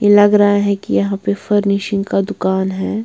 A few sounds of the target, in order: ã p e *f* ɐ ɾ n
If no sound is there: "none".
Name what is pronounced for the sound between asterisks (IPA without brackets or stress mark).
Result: f